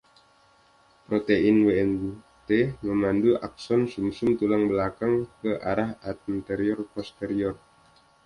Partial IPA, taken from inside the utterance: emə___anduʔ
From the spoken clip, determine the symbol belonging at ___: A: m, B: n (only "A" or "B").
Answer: A